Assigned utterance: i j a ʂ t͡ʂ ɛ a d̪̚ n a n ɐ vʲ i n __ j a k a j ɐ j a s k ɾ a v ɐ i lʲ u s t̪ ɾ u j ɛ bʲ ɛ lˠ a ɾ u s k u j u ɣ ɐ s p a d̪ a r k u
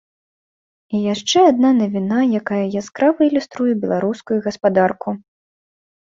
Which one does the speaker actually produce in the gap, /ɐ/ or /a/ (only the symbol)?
a